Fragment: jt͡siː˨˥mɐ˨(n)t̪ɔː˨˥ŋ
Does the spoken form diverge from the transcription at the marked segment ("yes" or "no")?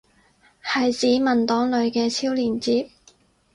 no